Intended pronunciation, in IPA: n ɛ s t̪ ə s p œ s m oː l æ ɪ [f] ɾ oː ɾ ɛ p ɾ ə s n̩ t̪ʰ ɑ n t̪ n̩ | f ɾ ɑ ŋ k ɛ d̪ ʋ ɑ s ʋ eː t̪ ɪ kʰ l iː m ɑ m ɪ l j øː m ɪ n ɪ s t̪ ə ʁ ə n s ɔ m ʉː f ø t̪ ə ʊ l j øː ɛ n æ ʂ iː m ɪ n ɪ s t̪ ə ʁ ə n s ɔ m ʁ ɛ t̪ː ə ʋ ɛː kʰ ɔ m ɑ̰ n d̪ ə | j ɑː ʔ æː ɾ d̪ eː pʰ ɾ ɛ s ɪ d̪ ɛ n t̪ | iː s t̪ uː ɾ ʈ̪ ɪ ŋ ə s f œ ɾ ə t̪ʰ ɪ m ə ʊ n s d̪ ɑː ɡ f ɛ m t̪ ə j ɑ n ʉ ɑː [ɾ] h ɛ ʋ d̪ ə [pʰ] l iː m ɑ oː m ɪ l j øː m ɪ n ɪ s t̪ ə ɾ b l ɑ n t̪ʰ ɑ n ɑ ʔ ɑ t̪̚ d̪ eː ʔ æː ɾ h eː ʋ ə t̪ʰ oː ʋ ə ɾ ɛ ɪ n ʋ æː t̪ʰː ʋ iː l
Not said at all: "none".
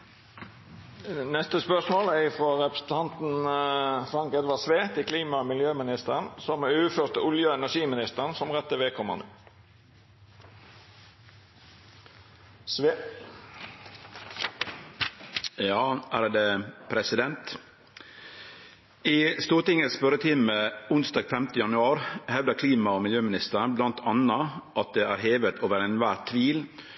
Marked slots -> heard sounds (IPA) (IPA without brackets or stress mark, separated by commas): f, ɾ, kʰ